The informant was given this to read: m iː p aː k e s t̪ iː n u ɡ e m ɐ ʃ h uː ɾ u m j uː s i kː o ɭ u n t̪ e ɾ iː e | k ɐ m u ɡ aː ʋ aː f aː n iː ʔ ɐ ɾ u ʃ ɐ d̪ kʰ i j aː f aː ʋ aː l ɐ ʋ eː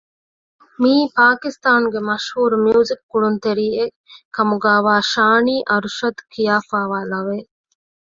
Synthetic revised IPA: m iː p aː k i s t̪ aː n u ɡ e m ɐ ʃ h uː ɾ u m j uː z i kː u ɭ u n t̪ e ɾ iː e | k ɐ m u ɡ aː ʋ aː ʃ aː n iː ʔ ɐ ɾ u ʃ ɐ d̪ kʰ i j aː f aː ʋ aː l ɐ ʋ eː